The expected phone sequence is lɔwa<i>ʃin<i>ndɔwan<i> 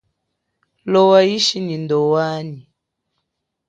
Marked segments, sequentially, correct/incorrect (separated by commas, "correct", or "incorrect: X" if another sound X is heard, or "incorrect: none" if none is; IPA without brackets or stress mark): correct, correct, correct